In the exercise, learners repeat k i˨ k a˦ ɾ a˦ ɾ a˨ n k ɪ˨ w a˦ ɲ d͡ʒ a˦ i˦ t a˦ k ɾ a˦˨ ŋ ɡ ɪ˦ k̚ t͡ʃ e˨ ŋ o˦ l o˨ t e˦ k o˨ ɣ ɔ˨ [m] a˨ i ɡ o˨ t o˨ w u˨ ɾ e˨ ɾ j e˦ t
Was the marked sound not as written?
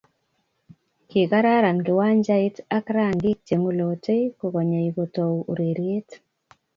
yes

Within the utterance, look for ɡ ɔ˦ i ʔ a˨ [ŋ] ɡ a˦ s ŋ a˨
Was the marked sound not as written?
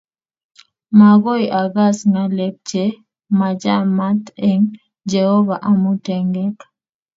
yes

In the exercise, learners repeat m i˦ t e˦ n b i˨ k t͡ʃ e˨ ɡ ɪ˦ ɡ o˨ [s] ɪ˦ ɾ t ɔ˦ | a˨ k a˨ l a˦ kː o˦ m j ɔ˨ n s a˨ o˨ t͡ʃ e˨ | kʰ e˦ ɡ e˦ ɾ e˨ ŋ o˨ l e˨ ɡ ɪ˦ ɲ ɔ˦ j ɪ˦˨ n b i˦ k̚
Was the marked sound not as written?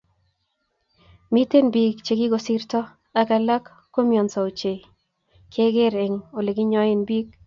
no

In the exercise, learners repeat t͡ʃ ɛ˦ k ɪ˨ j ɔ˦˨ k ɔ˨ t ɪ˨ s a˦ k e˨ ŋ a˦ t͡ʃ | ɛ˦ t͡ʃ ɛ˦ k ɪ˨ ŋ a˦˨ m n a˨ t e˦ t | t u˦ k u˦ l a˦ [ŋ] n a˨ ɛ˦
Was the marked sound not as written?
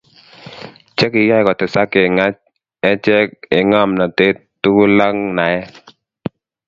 no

